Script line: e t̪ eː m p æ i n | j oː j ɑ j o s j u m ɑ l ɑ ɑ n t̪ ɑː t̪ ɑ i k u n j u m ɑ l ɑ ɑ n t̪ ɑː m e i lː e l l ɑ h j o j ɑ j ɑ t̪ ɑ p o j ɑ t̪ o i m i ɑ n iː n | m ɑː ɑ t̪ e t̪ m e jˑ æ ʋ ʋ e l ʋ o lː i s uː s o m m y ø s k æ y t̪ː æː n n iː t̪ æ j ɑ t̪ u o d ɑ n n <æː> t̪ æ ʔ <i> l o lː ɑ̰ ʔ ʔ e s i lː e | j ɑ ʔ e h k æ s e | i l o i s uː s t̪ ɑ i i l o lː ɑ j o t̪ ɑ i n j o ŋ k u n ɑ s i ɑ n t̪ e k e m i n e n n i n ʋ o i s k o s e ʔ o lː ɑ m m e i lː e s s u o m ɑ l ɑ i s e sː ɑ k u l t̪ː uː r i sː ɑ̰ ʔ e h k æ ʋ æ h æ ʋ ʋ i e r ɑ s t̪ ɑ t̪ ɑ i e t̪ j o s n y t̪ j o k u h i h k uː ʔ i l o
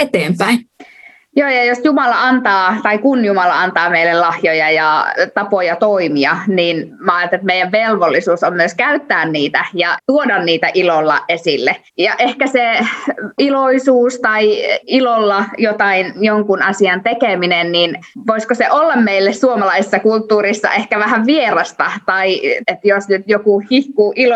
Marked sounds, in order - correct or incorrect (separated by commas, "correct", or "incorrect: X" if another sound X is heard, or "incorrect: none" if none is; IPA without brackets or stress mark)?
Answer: incorrect: iː, correct